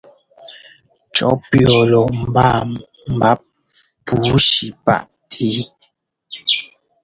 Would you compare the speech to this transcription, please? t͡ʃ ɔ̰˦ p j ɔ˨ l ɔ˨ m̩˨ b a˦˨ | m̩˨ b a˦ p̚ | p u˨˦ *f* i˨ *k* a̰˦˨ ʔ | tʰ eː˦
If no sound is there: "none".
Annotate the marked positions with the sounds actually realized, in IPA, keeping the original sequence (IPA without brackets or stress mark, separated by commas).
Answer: ʃ, p